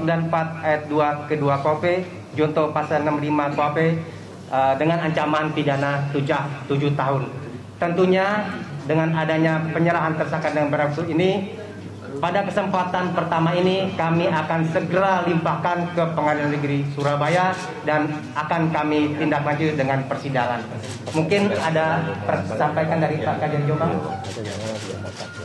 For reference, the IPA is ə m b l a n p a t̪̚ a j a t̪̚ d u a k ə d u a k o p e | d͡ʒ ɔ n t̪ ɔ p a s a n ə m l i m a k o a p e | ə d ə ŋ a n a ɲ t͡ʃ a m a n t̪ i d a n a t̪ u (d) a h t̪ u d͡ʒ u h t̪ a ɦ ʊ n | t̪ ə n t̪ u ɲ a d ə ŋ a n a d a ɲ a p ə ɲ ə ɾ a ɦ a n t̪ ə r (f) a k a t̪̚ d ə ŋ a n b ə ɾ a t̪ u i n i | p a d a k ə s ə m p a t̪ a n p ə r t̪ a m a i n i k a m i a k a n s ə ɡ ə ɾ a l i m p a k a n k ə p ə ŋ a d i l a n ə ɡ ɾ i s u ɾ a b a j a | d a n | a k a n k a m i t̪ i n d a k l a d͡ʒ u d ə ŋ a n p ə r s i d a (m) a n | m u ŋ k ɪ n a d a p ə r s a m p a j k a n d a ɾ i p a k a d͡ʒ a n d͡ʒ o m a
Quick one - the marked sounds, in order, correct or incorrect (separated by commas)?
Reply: incorrect, incorrect, incorrect